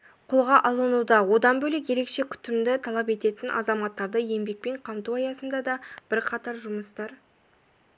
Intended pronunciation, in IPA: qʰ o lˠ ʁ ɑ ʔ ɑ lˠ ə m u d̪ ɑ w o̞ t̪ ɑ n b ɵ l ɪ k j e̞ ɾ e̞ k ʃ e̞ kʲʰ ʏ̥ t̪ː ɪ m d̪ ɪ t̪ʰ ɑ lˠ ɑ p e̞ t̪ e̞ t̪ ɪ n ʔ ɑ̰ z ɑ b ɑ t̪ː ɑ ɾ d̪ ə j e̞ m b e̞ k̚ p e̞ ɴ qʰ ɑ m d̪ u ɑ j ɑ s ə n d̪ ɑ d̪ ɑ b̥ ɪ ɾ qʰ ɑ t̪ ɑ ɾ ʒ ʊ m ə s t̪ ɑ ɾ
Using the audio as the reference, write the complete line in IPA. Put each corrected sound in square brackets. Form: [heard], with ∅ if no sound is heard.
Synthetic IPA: qʰ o lˠ ʁ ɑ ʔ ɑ lˠ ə [n] u d̪ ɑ w o̞ [d̪] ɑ n b ɵ l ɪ k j e̞ ɾ e̞ k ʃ e̞ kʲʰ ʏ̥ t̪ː ɪ m d̪ ɪ t̪ʰ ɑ lˠ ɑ p e̞ t̪ e̞ t̪ ɪ n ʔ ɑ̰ z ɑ [m] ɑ t̪ː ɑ ɾ d̪ ə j e̞ m b e̞ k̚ p e̞ ɴ qʰ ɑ m [t̪] u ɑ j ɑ s ə n d̪ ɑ d̪ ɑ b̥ ɪ ɾ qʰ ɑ t̪ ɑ ɾ ʒ ʊ m ə s t̪ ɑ ɾ

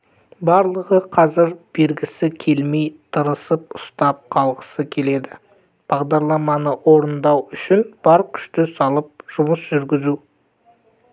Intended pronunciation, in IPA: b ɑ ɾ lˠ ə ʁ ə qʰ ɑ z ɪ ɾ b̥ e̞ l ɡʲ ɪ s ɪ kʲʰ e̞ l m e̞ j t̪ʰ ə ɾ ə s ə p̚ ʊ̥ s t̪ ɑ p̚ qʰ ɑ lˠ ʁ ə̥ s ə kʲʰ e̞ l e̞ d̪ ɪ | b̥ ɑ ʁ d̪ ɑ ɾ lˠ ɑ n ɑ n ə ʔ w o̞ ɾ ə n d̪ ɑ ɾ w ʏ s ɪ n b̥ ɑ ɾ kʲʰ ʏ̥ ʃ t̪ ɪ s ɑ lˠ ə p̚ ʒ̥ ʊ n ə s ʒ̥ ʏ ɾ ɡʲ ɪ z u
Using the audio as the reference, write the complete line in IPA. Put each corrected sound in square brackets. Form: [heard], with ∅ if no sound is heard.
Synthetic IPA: b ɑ ɾ lˠ ə ʁ ə qʰ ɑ z ɪ ɾ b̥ e̞ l ɡʲ ɪ s ɪ kʲʰ e̞ l m e̞ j t̪ʰ ə ɾ ə s ə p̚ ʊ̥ s t̪ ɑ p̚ qʰ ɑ lˠ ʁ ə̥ s ə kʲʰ e̞ l e̞ d̪ ɪ | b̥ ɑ ʁ d̪ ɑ ɾ lˠ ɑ [m] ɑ n ə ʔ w o̞ ɾ ə n d̪ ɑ [∅] w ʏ [ʃ] ɪ n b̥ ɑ ɾ kʲʰ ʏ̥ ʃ t̪ ɪ s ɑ lˠ ə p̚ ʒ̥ ʊ [m] ə s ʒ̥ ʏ ɾ ɡʲ ɪ z u

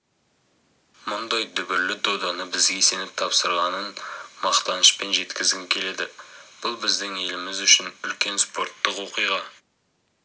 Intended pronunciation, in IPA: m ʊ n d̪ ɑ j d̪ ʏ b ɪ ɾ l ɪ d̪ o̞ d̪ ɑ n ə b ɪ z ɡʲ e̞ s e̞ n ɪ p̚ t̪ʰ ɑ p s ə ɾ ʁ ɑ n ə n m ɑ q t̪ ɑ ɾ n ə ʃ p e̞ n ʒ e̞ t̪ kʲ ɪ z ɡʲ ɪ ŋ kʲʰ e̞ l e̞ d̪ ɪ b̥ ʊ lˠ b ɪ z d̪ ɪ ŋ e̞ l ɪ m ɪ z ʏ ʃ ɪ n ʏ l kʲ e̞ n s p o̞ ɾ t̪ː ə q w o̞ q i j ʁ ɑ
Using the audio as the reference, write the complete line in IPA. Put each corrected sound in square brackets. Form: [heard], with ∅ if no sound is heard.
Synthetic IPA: m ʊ n d̪ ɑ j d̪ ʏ b ɪ ɾ l ɪ d̪ o̞ d̪ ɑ n ə b ɪ z ɡʲ e̞ s e̞ n ɪ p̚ t̪ʰ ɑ p s ə ɾ ʁ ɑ n ə n m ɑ q t̪ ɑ [∅] n ə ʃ p e̞ n ʒ e̞ t̪ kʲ ɪ z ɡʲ ɪ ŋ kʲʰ e̞ l e̞ d̪ ɪ b̥ ʊ lˠ b ɪ z d̪ ɪ ŋ e̞ l ɪ m ɪ z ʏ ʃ ɪ n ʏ l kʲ e̞ n s p o̞ ɾ t̪ː ə q w o̞ q i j ʁ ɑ

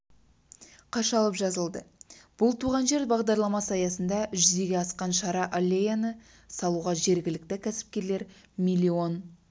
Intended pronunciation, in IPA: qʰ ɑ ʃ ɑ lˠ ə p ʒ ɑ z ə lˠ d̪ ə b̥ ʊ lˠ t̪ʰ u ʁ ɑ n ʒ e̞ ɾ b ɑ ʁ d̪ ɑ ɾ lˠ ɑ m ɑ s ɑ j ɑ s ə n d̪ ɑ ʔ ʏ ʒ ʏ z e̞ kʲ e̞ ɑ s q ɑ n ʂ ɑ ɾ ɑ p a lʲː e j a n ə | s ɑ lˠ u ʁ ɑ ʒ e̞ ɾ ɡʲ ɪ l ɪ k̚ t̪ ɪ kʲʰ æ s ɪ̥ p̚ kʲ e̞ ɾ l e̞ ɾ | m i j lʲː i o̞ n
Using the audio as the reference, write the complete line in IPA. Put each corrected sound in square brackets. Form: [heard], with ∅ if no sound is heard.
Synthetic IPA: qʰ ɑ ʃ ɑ lˠ ə p ʒ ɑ z ə lˠ d̪ ə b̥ ʊ lˠ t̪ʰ u ʁ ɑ n ʒ e̞ ɾ b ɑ ʁ d̪ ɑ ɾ lˠ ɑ m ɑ s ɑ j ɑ s ə n d̪ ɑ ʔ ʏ ʒ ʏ z e̞ [ɡʲ] e̞ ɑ s q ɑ n [ʃ] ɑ ɾ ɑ [ʔ] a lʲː e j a n ə | s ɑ lˠ u ʁ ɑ ʒ e̞ ɾ ɡʲ ɪ l ɪ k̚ t̪ ɪ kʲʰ æ s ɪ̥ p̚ kʲ e̞ ɾ l e̞ ɾ | m i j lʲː i o̞ n

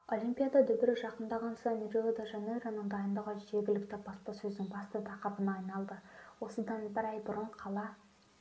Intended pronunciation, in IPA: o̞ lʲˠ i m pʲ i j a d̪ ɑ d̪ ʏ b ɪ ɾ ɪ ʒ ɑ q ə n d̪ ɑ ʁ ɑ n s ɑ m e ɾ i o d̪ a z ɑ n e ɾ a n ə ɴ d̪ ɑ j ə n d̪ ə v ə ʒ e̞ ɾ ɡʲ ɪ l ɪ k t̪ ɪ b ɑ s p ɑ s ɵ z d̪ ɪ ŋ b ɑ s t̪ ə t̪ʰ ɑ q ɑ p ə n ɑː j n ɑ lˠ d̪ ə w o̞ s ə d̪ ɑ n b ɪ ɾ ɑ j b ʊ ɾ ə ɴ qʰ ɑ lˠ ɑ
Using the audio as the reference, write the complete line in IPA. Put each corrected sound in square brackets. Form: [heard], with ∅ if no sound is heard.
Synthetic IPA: o̞ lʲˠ i m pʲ i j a d̪ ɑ d̪ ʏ b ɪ ɾ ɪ ʒ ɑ q ə n d̪ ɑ ʁ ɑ n s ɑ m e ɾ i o d̪ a [ʒ] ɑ n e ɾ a n ə ɴ d̪ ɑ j ə n d̪ ə [ʁ] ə ʒ e̞ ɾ ɡʲ ɪ l ɪ k t̪ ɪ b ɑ s p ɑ s ɵ z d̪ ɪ ŋ b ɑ s t̪ ə t̪ʰ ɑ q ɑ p ə n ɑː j n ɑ lˠ d̪ ə w o̞ s ə d̪ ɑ n b ɪ ɾ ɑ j b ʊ ɾ ə ɴ qʰ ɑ lˠ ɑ

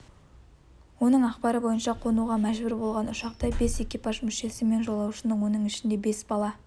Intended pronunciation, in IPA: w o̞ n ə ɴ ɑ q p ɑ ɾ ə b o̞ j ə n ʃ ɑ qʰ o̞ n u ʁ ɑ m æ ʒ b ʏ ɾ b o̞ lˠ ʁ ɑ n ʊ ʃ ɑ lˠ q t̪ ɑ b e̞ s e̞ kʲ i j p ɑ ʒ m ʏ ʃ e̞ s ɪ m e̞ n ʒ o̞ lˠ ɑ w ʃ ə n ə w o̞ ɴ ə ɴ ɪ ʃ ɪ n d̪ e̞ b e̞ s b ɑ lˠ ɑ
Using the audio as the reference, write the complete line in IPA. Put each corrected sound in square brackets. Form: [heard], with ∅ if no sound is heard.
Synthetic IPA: w o̞ n ə ɴ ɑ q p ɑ ɾ ə b o̞ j ə n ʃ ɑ qʰ o̞ n u ʁ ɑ m æ ʒ b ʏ ɾ b o̞ lˠ ʁ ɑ n ʊ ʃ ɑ [∅] q t̪ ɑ b e̞ s e̞ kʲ i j p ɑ ʒ m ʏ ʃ e̞ s ɪ m e̞ n ʒ o̞ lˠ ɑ w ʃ ə n ə w o̞ [n] ə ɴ ɪ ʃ ɪ n d̪ e̞ b e̞ s b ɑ lˠ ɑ

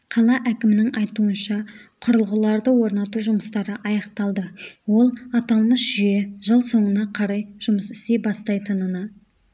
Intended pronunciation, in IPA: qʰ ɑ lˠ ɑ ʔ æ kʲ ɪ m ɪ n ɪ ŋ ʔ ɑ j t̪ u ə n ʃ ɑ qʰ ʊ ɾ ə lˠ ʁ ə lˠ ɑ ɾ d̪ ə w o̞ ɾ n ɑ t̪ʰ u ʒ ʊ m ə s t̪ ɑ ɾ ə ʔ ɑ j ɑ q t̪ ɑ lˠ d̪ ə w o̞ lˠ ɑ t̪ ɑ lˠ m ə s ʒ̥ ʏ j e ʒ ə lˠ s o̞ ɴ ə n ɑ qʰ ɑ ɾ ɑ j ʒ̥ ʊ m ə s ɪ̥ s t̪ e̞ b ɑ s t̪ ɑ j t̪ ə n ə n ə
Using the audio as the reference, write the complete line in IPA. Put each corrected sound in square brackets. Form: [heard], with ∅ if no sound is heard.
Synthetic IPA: qʰ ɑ lˠ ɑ ʔ æ kʲ ɪ m ɪ n ɪ ŋ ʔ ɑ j t̪ u ə n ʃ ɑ qʰ ʊ ɾ ə lˠ ʁ ə lˠ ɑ ɾ d̪ ə w o̞ ɾ n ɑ [t̪] u ʒ ʊ m ə s t̪ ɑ ɾ ə ʔ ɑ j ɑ q t̪ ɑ lˠ d̪ ə w o̞ lˠ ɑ t̪ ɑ lˠ m ə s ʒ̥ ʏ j e ʒ ə lˠ s o̞ ɴ ə n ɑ qʰ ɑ ɾ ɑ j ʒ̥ ʊ m ə s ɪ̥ s t̪ e̞ b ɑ s t̪ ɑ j t̪ ə n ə n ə

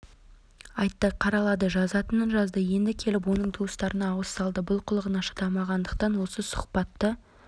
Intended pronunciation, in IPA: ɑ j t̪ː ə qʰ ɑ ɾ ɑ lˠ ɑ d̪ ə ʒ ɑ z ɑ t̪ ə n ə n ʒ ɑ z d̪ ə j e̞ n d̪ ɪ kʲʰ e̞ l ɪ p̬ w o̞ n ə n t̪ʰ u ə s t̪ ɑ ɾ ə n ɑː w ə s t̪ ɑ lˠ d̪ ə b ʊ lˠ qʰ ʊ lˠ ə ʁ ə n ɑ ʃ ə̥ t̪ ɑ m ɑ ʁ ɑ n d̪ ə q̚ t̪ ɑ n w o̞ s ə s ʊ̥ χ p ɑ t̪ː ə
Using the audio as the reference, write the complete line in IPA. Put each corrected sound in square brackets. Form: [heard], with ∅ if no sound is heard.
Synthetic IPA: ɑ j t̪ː ə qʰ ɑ ɾ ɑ lˠ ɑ d̪ ə ʒ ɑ z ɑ t̪ ə n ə n ʒ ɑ z d̪ ə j e̞ n d̪ ɪ kʲʰ e̞ l ɪ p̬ w o̞ n ə [ɴ] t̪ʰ u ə s t̪ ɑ ɾ ə n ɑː w ə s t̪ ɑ lˠ d̪ ə b ʊ lˠ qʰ ʊ lˠ ə ʁ ə n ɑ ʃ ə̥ t̪ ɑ m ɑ ʁ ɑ n d̪ ə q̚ t̪ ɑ n w o̞ s ə s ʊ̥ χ p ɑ t̪ː ə

